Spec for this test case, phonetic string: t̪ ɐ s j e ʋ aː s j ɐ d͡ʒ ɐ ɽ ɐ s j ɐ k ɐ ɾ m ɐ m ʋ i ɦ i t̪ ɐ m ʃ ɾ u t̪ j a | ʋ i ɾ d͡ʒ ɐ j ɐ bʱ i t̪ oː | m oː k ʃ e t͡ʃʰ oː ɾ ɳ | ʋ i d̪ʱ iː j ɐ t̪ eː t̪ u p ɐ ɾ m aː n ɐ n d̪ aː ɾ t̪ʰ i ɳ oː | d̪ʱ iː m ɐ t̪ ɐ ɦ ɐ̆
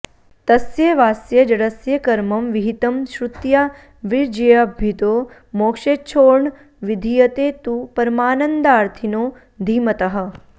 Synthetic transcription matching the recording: t̪ ɐ s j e ʋ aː s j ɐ d͡ʒ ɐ ɽ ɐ s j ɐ k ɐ ɾ m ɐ m ʋ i ɦ i t̪ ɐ m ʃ ɾ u t̪ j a | ʋ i ɾ d͡ʒ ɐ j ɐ bʱ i t̪ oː | m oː k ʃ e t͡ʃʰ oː ɾ ɳ | ʋ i d̪ʱ i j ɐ t̪ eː t̪ u p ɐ ɾ m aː n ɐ n d̪ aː ɾ t̪ʰ i n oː | d̪ʱ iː m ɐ t̪ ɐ ɦ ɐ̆